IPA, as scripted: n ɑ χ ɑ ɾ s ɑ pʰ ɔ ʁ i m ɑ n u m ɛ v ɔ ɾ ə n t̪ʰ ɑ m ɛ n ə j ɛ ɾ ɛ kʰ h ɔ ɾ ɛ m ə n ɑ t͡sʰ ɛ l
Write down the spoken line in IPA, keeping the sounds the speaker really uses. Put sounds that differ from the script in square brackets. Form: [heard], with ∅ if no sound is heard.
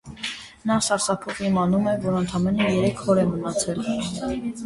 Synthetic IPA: n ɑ [s] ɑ ɾ s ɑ pʰ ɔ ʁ i m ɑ n u m ɛ v ɔ ɾ ə n t̪ʰ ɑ m ɛ n ə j ɛ ɾ ɛ kʰ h ɔ ɾ ɛ m ə n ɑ t͡sʰ ɛ l

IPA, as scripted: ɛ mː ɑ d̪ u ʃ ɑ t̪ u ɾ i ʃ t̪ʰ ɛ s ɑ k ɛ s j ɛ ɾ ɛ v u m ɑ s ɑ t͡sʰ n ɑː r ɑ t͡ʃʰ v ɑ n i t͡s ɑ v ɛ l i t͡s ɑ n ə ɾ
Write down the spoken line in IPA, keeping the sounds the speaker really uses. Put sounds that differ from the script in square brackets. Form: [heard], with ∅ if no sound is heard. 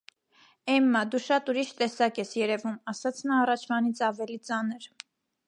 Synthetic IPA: ɛ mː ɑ d̪ u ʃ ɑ t̪ u ɾ i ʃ [t̪] ɛ s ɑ k ɛ s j ɛ ɾ ɛ v u m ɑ s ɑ t͡sʰ n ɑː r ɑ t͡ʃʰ v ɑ n i [t͡sʰ] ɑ v ɛ l i t͡s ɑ n ə ɾ

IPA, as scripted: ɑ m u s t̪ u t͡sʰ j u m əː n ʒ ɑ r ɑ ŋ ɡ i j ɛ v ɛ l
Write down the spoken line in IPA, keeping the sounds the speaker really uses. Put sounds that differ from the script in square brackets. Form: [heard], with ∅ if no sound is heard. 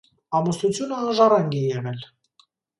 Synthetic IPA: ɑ m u s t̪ u t͡sʰ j u [n] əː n ʒ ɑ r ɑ ŋ ɡ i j ɛ [ʁ] ɛ l

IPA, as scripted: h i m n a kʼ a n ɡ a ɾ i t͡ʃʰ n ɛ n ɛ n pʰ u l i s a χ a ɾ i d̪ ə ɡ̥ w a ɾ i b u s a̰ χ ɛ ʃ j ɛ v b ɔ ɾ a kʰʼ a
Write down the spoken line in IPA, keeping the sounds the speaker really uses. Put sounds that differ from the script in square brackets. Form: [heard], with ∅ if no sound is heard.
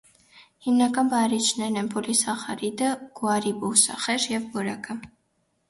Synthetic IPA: h i m n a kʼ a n [b] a ɾ i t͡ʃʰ n ɛ n ɛ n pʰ u l i s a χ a ɾ i d̪ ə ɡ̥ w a ɾ i b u s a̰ χ ɛ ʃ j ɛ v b ɔ ɾ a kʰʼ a

